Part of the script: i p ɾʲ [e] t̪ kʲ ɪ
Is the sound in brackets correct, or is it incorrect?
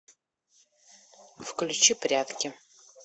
incorrect